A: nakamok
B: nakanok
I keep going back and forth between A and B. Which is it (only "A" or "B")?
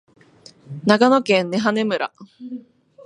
B